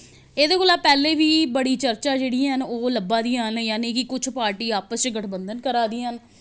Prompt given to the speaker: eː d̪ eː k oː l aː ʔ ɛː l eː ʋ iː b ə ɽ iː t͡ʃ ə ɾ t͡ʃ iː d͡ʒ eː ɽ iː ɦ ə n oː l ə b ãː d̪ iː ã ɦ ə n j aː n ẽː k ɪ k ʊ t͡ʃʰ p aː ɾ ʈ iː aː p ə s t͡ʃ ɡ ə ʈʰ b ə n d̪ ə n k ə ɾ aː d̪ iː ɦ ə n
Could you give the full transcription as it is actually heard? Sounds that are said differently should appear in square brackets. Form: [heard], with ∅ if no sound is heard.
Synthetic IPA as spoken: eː d̪ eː k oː l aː [p] ɛː l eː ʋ iː b ə ɽ iː t͡ʃ ə ɾ t͡ʃ [aː] d͡ʒ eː ɽ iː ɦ ə n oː l ə b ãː d̪ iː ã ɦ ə n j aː n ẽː k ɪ k ʊ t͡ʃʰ p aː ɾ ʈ iː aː p ə s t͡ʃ ɡ ə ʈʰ b ə n d̪ ə n k ə ɾ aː d̪ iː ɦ ə n